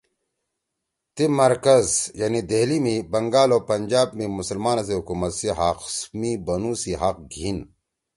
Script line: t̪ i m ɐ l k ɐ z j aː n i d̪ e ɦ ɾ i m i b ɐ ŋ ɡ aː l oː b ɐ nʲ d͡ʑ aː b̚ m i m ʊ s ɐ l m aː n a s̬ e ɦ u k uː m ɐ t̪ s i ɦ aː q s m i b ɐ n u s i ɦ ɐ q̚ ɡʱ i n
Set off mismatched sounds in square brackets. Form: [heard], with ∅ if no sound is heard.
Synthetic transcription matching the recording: t̪ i m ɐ [ɾ] k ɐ z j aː n i d̪ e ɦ [l] i m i b ɐ ŋ ɡ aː l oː [p] ɐ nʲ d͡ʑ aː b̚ m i m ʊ s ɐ l m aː n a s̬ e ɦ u k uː m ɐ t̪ s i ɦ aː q s m i b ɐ n u s i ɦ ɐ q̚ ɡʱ i n